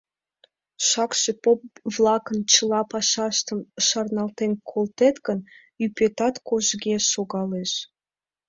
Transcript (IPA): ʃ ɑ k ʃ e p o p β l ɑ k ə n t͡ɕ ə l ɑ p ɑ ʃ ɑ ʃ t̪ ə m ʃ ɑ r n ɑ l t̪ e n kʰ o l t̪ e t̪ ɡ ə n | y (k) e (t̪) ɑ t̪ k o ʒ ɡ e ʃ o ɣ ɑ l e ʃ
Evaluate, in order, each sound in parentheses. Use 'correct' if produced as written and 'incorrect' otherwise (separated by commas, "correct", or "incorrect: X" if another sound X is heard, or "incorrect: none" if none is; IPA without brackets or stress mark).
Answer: incorrect: p, correct